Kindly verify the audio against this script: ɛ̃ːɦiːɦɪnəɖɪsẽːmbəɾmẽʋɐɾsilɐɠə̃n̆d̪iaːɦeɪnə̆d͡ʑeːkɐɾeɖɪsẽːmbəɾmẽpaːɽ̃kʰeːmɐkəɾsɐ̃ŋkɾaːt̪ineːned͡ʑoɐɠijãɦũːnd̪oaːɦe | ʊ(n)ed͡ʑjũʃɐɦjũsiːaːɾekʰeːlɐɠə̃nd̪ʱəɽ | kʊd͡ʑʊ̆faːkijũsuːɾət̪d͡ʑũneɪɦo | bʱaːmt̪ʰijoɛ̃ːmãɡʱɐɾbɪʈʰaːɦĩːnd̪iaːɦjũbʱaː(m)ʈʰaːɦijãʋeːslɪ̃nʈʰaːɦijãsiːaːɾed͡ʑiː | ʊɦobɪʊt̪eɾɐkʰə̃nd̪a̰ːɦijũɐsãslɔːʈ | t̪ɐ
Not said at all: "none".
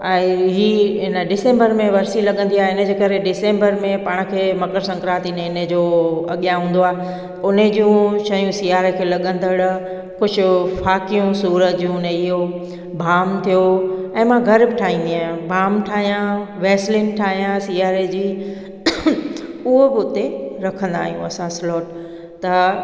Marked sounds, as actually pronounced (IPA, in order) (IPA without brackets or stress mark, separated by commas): n, m